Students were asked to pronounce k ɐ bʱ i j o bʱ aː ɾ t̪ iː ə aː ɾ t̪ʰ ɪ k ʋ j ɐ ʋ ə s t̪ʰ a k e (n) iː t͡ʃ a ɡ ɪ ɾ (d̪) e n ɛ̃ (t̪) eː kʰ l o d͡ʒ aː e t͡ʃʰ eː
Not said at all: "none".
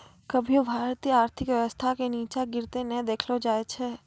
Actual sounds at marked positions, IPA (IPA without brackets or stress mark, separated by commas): n, t̪, d̪